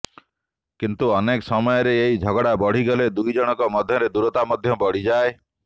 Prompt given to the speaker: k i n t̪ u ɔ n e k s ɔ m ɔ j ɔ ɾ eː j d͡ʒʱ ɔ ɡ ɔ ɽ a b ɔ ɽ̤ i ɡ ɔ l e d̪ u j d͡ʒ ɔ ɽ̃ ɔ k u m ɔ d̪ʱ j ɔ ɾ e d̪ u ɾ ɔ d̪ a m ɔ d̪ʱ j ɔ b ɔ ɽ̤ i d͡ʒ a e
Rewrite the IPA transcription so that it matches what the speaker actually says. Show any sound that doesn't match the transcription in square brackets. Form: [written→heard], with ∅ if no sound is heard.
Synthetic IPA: k i n t̪ u ɔ n e k s ɔ m ɔ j ɔ ɾ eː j d͡ʒʱ ɔ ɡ ɔ ɽ a b ɔ ɽ̤ i ɡ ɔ l e d̪ u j d͡ʒ ɔ ɽ̃ ɔ k [u→ɔ] m ɔ d̪ʱ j ɔ ɾ e d̪ u ɾ ɔ [d̪→t̪] a m ɔ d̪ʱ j ɔ b ɔ ɽ̤ i d͡ʒ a e

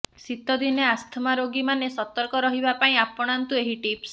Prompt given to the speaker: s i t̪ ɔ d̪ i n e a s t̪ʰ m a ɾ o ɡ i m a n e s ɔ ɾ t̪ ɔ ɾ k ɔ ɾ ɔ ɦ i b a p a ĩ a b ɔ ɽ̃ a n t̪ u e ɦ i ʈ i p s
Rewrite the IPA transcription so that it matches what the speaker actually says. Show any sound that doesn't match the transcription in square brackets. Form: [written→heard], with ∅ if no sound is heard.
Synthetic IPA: s i t̪ ɔ d̪ i n e a s t̪ʰ m a ɾ o ɡ i m a n e s ɔ [ɾ→∅] t̪ ɔ ɾ k ɔ ɾ ɔ ɦ i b a p a ĩ a [b→p] ɔ ɽ̃ a n t̪ u e ɦ i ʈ i p s

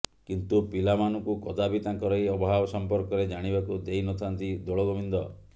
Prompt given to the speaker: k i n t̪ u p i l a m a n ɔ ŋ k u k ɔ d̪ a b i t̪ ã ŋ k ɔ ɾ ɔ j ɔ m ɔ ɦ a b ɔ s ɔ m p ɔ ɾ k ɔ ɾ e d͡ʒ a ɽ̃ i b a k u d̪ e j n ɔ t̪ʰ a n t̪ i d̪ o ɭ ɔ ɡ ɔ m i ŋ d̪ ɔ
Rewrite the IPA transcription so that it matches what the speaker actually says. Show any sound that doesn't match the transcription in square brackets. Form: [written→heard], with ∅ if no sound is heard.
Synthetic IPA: k i n t̪ u p i l a m a n ɔ ŋ k u k ɔ d̪ a b i t̪ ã ŋ k ɔ ɾ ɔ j ɔ [m→b] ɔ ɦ a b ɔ s ɔ m p ɔ ɾ k ɔ ɾ e d͡ʒ a ɽ̃ i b a k u d̪ e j n ɔ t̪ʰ a n t̪ i d̪ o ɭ ɔ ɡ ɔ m i [ŋ→n] d̪ ɔ

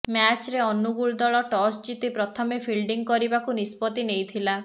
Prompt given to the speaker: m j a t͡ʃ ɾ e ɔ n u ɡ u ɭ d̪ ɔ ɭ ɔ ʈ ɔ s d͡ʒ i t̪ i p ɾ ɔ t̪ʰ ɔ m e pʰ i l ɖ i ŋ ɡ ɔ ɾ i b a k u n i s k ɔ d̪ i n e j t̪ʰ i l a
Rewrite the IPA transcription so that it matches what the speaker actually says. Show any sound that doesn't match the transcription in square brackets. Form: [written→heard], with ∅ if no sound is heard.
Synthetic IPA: m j a t͡ʃ ɾ e ɔ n u ɡ u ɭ d̪ ɔ ɭ ɔ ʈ ɔ s d͡ʒ i t̪ i p ɾ ɔ t̪ʰ ɔ m e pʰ i l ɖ i ŋ [ɡ→k] ɔ ɾ i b a k u n i s [k→p] ɔ [d̪→t̪] i n e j t̪ʰ i l a

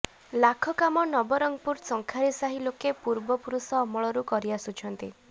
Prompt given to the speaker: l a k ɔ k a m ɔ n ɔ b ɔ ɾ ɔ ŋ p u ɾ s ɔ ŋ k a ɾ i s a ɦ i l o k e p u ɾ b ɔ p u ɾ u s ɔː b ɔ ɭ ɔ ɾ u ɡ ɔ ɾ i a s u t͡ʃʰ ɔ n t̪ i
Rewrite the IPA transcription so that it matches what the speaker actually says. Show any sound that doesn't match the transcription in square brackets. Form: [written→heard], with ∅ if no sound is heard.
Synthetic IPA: l a [k→kʰ] ɔ k a m ɔ n ɔ b ɔ ɾ ɔ ŋ p u ɾ s ɔ ŋ [k→kʰ] a ɾ i s a ɦ i l o k e p u ɾ b ɔ p u ɾ u s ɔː [b→m] ɔ ɭ ɔ ɾ u [ɡ→k] ɔ ɾ i a s u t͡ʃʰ ɔ n t̪ i

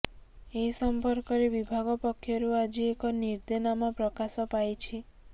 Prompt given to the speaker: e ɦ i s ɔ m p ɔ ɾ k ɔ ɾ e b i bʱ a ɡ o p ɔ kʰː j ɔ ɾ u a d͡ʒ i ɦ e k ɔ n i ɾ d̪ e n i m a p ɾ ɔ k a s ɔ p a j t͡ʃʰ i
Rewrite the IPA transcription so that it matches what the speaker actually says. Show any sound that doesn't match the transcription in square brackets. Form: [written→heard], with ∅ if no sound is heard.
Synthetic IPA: e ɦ i s ɔ m p ɔ ɾ k ɔ ɾ e b i bʱ a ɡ [o→ɔ] p ɔ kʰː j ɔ ɾ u a d͡ʒ i [ɦ→∅] e k ɔ n i ɾ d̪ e n [i→a] m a p ɾ ɔ k a s ɔ p a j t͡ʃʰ i

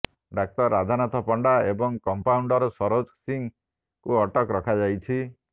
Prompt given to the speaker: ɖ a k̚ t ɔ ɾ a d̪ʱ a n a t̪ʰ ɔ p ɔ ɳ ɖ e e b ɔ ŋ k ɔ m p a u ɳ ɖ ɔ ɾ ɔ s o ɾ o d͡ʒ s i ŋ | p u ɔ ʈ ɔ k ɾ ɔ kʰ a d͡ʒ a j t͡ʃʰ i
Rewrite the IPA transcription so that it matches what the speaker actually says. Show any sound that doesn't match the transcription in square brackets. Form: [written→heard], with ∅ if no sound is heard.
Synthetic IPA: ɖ a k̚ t ɔ ɾ a d̪ʱ a n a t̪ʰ ɔ p ɔ ɳ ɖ [e→a] e b ɔ ŋ k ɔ m p a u ɳ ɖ ɔ ɾ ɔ s [o→ɔ] ɾ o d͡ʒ s i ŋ | [p→k] u ɔ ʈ ɔ k ɾ ɔ kʰ a d͡ʒ a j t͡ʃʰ i

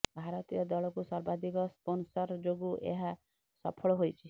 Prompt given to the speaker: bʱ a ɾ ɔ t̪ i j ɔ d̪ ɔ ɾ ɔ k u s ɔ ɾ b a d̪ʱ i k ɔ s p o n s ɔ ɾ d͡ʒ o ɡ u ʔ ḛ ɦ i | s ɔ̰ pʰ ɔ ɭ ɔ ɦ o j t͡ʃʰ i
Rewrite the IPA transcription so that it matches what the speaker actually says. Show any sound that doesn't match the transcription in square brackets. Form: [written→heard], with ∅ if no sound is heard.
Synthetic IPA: bʱ a ɾ ɔ t̪ i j ɔ d̪ ɔ [ɾ→ɭ] ɔ k u s ɔ ɾ b a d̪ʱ i k ɔ s p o n s ɔ ɾ d͡ʒ o ɡ u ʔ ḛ ɦ [i→a] | s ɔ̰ pʰ ɔ ɭ ɔ ɦ o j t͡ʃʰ i

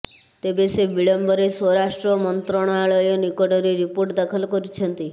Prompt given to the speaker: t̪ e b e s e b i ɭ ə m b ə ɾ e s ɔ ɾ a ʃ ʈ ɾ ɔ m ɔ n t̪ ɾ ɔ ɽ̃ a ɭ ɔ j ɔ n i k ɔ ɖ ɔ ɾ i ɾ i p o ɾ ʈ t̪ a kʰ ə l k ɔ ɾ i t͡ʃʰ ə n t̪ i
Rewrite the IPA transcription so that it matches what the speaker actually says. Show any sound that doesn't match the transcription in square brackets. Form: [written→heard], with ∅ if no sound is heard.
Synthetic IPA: t̪ e b e s e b i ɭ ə m b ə ɾ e s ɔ ɾ a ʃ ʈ ɾ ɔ m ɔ n t̪ ɾ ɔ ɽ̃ a ɭ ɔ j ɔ n i k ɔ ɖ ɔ ɾ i ɾ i p o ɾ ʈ [t̪→d̪] a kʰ ə l k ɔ ɾ i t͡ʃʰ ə n t̪ i

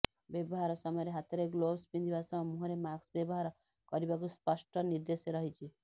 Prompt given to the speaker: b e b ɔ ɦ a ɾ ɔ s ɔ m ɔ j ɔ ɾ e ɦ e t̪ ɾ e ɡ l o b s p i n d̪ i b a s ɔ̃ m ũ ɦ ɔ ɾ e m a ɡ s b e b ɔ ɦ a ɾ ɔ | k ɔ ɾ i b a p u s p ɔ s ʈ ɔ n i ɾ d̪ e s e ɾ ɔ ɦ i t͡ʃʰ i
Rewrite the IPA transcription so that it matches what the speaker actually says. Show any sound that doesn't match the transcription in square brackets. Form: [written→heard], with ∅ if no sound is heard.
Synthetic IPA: b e b ɔ ɦ a ɾ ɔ s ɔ m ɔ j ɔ ɾ e ɦ [e→a] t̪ ɾ e ɡ l o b s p i n d̪ i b a s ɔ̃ m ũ ɦ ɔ ɾ e m a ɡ s b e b ɔ ɦ a ɾ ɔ | k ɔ ɾ i b a [p→k] u s p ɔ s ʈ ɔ n i ɾ d̪ e s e ɾ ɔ ɦ i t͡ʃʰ i

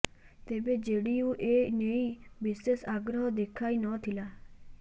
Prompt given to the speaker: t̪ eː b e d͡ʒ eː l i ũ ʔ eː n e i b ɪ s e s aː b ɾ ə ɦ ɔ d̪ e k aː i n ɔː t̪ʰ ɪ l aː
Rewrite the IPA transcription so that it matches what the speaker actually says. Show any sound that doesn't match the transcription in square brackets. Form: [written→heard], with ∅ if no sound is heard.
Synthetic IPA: t̪ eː b e d͡ʒ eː [l→ɽ] i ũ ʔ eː n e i b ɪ s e s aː [b→ɡ] ɾ ə ɦ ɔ d̪ e [k→kʰ] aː i n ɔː t̪ʰ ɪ l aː

